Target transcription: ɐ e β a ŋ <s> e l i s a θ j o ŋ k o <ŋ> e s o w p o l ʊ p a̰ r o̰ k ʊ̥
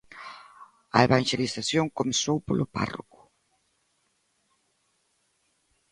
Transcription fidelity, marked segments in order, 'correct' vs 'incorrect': incorrect: ʃ, incorrect: m

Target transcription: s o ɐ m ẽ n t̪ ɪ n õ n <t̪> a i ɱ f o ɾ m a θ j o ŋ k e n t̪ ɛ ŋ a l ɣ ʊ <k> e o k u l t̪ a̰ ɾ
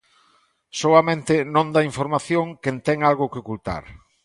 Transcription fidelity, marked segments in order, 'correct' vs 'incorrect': incorrect: d̪, correct

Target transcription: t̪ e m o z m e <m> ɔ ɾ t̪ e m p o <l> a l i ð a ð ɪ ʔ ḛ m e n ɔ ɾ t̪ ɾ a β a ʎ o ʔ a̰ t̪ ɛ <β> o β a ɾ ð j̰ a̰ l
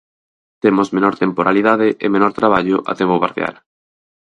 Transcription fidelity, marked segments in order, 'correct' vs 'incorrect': incorrect: n, incorrect: ɾ, correct

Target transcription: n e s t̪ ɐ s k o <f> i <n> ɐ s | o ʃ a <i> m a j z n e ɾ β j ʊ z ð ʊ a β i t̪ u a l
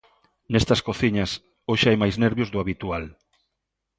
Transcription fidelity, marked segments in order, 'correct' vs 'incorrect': incorrect: θ, incorrect: ɲ, incorrect: j

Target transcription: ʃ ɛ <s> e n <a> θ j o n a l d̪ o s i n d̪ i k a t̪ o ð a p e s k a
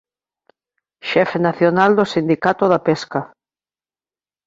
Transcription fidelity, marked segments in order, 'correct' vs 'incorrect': incorrect: f, correct

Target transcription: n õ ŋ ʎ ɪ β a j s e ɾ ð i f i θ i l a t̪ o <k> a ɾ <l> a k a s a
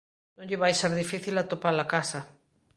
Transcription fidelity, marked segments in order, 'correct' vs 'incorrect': incorrect: p, correct

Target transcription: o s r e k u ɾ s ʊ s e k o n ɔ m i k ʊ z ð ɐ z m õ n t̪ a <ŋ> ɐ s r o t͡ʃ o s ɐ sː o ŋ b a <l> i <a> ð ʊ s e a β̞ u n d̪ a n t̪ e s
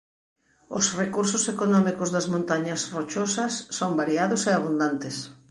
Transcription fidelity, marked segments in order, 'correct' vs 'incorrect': incorrect: ɲ, incorrect: ɾ, correct

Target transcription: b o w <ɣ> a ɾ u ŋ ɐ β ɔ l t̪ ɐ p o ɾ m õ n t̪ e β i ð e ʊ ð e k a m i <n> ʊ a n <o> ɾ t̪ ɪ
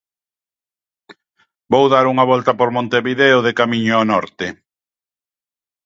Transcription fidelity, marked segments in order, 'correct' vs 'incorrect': incorrect: ð, incorrect: ɲ, incorrect: ɔ

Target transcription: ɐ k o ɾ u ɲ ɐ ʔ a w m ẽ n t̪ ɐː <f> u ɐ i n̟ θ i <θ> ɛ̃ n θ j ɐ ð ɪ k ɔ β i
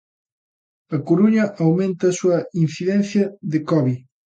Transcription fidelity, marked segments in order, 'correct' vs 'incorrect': incorrect: s, incorrect: ð

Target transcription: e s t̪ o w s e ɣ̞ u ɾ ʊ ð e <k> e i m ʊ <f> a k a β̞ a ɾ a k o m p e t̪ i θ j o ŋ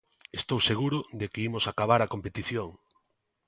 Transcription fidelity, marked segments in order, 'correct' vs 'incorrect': correct, incorrect: s

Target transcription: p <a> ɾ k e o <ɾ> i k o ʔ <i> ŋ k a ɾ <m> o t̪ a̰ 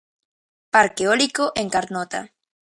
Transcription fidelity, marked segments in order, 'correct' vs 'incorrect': correct, incorrect: l, incorrect: e, incorrect: n

